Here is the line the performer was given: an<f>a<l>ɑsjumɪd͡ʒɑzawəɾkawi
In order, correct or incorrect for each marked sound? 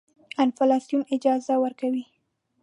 correct, correct

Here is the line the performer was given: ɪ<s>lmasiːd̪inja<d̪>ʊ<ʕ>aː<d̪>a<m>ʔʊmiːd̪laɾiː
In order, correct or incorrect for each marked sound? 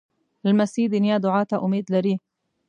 incorrect: none, correct, correct, incorrect: t̪, incorrect: none

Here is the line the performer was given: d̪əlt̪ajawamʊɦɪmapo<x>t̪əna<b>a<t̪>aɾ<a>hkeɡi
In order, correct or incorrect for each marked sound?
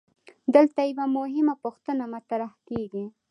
correct, incorrect: m, correct, correct

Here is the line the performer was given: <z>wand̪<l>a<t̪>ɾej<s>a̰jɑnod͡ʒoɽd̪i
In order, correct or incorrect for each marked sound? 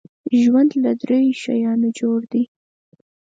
incorrect: ʒ, correct, incorrect: d̪, incorrect: ʃ

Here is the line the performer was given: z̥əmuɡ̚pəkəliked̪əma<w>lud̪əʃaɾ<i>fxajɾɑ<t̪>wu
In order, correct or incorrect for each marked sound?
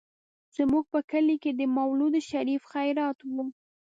correct, correct, correct

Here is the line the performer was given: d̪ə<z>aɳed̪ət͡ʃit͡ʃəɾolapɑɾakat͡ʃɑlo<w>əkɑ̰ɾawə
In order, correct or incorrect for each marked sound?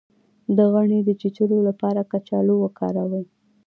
incorrect: ɣ, correct

